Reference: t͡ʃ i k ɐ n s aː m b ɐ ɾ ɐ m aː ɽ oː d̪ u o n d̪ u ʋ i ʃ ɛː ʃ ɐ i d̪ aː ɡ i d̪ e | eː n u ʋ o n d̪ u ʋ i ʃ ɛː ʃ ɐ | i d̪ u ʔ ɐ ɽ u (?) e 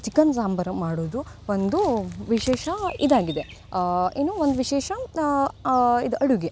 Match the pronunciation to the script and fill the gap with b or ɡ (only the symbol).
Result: ɡ